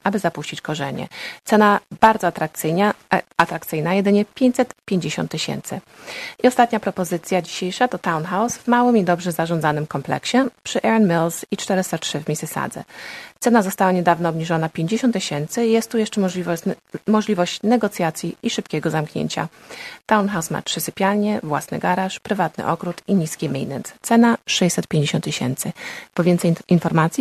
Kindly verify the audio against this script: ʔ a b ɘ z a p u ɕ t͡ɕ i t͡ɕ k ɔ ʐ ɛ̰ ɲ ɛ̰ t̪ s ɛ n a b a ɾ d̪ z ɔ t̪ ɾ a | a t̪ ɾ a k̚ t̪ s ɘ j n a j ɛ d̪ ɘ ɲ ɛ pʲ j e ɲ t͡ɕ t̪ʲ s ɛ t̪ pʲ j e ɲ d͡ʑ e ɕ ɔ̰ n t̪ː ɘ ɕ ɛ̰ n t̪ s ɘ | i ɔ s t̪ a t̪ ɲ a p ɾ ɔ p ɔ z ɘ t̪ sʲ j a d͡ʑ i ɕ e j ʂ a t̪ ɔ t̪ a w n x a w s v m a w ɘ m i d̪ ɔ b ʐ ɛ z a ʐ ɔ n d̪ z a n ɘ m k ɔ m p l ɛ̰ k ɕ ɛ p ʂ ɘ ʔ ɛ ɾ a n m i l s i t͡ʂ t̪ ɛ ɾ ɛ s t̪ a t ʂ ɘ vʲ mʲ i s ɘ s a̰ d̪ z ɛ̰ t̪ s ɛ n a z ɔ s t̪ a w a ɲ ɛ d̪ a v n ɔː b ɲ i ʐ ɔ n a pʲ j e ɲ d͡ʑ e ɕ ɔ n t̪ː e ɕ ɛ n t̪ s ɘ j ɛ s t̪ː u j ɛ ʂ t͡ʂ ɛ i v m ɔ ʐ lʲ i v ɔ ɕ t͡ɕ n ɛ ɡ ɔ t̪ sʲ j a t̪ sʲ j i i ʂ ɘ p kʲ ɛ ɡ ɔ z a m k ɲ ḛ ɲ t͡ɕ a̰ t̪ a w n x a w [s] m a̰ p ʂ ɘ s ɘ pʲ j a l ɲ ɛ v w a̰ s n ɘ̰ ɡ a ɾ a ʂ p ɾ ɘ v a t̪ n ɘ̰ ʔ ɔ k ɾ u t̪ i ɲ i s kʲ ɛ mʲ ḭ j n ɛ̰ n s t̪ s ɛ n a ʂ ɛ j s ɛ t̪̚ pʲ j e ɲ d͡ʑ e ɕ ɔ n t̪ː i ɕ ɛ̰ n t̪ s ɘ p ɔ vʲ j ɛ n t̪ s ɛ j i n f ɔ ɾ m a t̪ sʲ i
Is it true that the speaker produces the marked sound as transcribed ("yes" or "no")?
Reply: yes